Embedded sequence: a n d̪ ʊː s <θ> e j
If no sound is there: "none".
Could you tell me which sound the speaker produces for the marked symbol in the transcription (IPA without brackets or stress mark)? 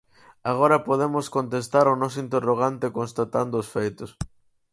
f